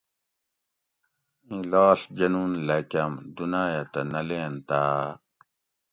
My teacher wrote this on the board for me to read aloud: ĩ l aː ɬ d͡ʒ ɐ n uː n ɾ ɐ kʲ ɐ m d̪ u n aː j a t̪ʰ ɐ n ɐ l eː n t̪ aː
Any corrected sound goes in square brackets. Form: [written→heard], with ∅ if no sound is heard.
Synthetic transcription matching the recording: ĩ l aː ɬ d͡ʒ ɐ n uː n [ɾ→l] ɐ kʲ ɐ m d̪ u n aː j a [t̪ʰ→t̪] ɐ n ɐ l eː n t̪ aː